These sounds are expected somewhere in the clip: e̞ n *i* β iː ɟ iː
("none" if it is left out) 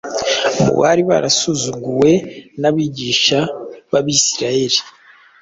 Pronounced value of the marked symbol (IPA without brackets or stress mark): a